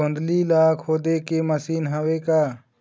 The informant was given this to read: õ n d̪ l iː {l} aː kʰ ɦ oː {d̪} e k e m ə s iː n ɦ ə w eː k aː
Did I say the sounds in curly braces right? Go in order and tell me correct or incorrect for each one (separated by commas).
correct, correct